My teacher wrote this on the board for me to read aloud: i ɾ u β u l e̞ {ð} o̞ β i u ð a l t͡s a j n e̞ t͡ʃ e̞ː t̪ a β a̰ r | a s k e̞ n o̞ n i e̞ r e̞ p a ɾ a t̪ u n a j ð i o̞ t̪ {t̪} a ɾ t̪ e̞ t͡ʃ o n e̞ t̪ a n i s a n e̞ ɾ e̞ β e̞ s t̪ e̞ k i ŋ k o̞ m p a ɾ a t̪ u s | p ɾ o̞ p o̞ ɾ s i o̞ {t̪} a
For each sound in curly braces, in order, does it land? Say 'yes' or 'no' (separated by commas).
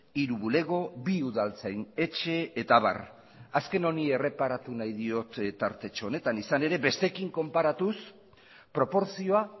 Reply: no, yes, no